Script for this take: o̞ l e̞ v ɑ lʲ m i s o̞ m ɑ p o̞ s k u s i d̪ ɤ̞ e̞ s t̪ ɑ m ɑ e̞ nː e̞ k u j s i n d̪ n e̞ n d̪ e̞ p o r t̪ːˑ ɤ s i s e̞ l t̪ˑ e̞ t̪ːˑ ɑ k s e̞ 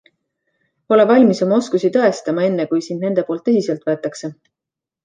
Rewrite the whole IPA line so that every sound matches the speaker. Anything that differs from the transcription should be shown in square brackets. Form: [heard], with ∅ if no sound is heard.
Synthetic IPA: o̞ l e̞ v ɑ lʲ m i s o̞ m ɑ [∅] o̞ s k u s i [t̪] ɤ̞ e̞ s t̪ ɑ m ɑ e̞ nː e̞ k u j s i n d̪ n e̞ n d̪ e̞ p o [l] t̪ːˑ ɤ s i s e̞ l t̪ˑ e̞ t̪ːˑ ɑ k s e̞